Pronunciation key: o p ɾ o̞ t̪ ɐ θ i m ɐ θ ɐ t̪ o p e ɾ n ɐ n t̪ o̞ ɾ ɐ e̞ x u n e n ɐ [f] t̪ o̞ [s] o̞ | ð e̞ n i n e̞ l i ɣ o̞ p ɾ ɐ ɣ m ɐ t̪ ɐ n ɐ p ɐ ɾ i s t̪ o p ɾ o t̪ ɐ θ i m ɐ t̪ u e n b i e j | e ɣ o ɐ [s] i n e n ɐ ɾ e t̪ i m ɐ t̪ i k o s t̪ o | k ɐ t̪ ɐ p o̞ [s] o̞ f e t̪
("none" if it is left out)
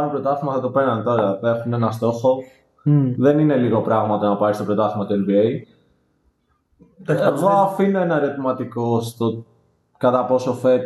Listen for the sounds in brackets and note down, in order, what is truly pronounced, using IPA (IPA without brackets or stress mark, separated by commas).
s, x, f, s